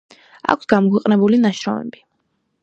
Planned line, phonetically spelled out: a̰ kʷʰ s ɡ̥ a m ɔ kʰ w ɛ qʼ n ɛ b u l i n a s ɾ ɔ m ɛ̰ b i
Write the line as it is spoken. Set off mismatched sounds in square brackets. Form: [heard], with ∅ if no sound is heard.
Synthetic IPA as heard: a̰ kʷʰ s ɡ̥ a m ɔ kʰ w ɛ qʼ n ɛ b u l i n a [ʃ] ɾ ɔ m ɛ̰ b i